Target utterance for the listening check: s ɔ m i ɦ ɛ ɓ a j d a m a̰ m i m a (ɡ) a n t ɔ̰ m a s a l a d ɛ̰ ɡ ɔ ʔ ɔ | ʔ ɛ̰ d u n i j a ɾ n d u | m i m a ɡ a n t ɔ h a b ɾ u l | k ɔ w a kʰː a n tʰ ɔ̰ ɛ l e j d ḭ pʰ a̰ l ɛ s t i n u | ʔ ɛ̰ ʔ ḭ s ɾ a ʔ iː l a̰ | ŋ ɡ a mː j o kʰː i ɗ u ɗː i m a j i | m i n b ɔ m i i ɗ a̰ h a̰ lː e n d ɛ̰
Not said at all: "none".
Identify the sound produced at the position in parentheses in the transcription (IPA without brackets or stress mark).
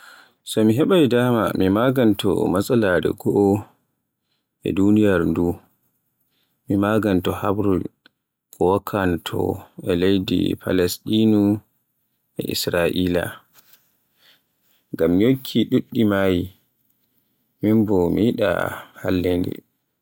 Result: ɡ